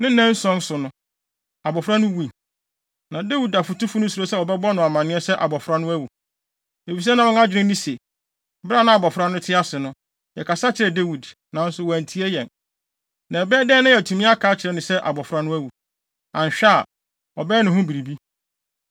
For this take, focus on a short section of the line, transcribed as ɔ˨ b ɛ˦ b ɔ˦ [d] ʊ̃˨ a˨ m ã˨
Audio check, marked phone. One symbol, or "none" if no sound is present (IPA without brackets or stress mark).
n